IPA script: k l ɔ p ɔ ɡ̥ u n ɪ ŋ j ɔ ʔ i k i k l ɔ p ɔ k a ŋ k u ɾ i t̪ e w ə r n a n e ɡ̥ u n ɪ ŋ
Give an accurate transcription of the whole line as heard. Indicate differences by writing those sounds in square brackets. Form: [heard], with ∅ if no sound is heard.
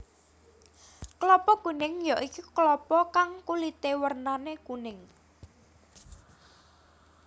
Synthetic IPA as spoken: k l ɔ p ɔ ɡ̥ u n ɪ ŋ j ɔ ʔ i k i k l ɔ p ɔ k a ŋ k u [l] i t̪ e w ə r n a n e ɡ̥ u n ɪ ŋ